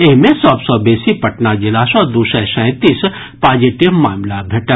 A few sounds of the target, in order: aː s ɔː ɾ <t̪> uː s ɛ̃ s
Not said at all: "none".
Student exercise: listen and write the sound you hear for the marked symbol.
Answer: d̪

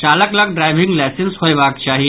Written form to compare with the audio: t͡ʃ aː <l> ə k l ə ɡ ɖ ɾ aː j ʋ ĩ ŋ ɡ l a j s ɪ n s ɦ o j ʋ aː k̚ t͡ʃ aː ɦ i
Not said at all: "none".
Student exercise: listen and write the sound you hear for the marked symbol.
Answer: l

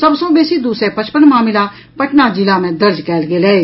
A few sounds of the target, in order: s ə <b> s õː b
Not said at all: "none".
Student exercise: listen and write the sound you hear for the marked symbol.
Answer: b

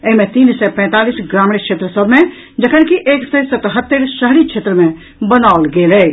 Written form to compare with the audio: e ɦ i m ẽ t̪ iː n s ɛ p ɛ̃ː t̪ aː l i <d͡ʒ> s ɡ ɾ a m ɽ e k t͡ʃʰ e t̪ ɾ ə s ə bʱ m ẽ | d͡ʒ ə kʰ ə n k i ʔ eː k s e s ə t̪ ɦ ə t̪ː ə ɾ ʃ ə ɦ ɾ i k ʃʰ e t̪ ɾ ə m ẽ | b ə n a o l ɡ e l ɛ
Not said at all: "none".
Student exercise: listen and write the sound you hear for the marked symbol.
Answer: none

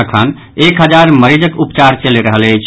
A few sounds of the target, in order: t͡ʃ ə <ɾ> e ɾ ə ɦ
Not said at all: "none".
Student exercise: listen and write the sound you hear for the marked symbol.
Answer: l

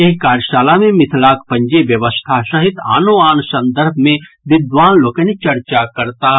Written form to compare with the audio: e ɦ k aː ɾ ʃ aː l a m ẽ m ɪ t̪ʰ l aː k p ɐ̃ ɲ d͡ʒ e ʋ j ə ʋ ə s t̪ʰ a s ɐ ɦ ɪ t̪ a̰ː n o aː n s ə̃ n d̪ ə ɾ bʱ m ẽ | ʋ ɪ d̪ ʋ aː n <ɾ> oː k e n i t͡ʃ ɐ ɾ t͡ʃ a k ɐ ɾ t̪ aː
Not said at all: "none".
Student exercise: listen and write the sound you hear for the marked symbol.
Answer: l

